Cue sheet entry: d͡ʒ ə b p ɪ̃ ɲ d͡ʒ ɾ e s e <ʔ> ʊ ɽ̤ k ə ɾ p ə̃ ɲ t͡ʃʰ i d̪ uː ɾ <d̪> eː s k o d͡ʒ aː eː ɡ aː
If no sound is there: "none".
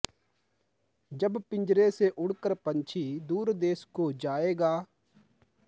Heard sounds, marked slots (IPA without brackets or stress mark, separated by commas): ʔ, d̪